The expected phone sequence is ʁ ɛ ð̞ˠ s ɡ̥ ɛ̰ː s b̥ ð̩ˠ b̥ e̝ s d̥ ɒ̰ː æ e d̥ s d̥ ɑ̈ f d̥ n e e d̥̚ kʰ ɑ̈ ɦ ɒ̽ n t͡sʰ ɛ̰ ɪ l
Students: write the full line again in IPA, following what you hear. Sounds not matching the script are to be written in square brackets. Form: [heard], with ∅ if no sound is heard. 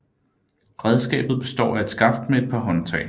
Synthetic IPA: ʁ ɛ ð̞ˠ s ɡ̥ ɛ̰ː [∅] b̥ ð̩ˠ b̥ e̝ s d̥ ɒ̰ː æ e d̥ s [ɡ̥] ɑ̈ f d̥ [m] e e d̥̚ [pʰ] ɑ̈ ɦ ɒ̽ n t͡sʰ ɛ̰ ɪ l

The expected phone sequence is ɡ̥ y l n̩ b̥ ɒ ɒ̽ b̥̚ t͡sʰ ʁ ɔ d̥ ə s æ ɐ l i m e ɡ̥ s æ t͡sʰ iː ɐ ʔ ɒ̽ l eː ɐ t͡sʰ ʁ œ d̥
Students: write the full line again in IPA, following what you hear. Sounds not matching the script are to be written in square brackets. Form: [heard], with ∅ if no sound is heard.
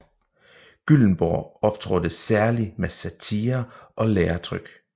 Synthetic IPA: ɡ̥ y l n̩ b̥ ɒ ɒ̽ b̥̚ t͡sʰ ʁ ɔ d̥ ə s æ ɐ l i m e [∅] s æ t͡sʰ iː ɐ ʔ ɒ̽ l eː ɐ t͡sʰ ʁ œ [ɡ̥]

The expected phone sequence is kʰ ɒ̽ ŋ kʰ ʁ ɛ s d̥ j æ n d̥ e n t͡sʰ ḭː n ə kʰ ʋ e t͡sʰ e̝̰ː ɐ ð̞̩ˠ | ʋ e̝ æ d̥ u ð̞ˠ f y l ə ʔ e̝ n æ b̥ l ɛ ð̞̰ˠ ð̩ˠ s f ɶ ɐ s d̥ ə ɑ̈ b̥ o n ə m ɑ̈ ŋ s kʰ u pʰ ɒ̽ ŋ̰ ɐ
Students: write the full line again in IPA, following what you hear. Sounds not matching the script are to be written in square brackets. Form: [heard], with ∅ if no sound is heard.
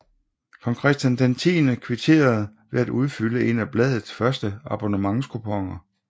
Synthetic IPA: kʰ ɒ̽ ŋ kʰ ʁ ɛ s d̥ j æ n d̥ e n t͡sʰ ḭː n ə kʰ ʋ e t͡sʰ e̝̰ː ɐ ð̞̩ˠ | ʋ e̝ æ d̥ u ð̞ˠ f y l ə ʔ e̝ n æ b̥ l ɛ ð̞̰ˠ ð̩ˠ s f ɶ ɐ s d̥ ə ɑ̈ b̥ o n ə m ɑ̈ ŋ s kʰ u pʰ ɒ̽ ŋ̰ ɐ

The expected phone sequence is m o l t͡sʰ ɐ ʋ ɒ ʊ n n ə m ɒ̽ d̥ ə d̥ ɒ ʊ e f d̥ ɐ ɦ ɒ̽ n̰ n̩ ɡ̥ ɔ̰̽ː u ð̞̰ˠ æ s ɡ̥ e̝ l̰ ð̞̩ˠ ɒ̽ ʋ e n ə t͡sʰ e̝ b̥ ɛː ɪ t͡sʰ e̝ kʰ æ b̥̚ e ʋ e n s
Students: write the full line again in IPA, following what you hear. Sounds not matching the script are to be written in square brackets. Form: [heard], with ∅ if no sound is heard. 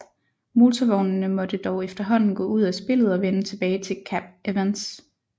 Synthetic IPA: m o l t͡sʰ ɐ ʋ ɒ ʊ n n ə m ɒ̽ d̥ ə d̥ ɒ ʊ e f d̥ ɐ ɦ ɒ̽ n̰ n̩ ɡ̥ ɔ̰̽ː u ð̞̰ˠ æ s [b̥] e̝ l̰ ð̞̩ˠ ɒ̽ ʋ e n ə t͡sʰ e̝ b̥ ɛː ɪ t͡sʰ e̝ kʰ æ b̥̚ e ʋ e n s

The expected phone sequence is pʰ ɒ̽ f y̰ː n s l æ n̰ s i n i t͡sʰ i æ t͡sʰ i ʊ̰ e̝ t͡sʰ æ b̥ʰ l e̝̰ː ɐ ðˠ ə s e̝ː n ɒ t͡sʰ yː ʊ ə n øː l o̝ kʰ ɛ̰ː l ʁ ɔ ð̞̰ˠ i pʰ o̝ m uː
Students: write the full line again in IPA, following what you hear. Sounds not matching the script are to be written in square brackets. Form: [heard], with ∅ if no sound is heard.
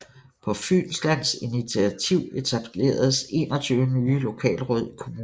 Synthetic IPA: pʰ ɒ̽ f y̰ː n s l æ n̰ s i n i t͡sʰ i æ t͡sʰ i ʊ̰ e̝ t͡sʰ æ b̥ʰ l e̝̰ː ɐ ðˠ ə s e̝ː n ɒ t͡sʰ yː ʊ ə n [yː] l o̝ kʰ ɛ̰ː l ʁ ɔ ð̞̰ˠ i [kʰ] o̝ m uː

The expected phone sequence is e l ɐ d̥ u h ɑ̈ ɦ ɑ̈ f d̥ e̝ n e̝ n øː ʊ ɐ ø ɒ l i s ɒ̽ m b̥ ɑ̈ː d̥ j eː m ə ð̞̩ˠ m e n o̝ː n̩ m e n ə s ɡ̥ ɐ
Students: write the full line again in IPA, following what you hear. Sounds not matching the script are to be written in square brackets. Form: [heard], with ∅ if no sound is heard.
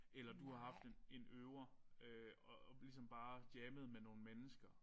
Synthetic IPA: e l ɐ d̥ u h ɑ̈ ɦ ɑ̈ f d̥ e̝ n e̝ n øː ʊ ɐ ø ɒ l i s ɒ̽ m b̥ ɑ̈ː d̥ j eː m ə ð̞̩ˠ m e n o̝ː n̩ m e n ə s ɡ̥ ɐ

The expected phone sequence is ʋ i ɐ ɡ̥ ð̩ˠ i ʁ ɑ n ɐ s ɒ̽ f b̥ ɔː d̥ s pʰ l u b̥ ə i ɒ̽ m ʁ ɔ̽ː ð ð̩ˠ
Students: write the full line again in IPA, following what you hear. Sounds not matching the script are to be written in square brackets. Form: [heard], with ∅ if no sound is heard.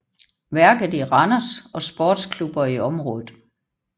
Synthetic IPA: ʋ [æ] ɐ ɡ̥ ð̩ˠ i ʁ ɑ n ɐ s ɒ̽ [s] b̥ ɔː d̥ s [kʰ] l u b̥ [ɐ] i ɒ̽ m ʁ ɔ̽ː ð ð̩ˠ

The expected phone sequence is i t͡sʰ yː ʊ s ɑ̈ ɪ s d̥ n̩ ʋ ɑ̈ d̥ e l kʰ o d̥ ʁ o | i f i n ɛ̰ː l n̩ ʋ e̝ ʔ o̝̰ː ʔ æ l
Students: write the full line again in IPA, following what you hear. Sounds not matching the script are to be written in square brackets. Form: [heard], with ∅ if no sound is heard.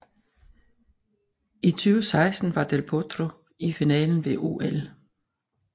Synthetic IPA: i t͡sʰ yː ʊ s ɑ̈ ɪ s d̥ n̩ ʋ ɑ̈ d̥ e l [pʰ] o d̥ ʁ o | i f i n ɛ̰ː l n̩ ʋ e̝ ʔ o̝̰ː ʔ [e] l

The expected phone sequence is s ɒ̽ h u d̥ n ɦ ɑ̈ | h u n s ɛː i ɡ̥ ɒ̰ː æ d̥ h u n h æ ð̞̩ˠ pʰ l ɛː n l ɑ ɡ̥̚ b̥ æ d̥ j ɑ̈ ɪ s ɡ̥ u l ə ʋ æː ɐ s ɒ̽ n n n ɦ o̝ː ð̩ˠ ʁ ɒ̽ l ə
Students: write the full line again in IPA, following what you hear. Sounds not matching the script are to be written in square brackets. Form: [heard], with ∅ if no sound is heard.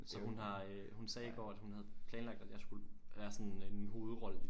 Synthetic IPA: s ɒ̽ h u [∅] n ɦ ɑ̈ | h u n s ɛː i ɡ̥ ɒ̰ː æ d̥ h u n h æ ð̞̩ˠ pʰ l ɛː n l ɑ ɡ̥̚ [d̥] æ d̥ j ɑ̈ ɪ s ɡ̥ u l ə ʋ æː ɐ s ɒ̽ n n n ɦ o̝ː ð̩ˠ ʁ ɒ̽ l ə

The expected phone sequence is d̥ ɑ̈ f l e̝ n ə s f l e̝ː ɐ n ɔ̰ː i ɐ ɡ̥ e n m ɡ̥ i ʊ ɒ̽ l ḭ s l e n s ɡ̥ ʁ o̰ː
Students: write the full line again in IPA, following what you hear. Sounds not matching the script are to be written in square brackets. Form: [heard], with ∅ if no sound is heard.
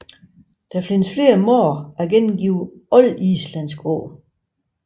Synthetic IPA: d̥ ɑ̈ f l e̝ n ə s f l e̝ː ɐ [m] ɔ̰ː [æ] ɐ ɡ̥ e n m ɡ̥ i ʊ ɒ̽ l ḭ s l [æ] n s ɡ̥ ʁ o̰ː

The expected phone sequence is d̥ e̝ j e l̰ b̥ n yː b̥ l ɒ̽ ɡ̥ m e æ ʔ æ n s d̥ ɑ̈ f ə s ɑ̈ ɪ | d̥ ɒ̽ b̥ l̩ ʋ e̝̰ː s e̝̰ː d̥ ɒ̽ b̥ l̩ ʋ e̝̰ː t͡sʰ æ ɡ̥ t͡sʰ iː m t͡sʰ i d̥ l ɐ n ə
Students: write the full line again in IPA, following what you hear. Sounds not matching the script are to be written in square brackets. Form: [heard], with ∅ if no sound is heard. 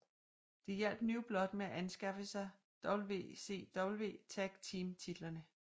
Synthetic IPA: d̥ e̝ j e l̰ b̥ n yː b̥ l ɒ̽ [d̥] m e æ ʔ æ n s [ɡ̥] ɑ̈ f ə s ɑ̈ ɪ | d̥ ɒ̽ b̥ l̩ ʋ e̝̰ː s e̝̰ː d̥ ɒ̽ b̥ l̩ ʋ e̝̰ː t͡sʰ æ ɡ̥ t͡sʰ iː m t͡sʰ i d̥ l ɐ n ə

